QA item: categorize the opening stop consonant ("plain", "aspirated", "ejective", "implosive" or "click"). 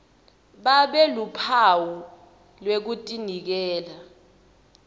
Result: implosive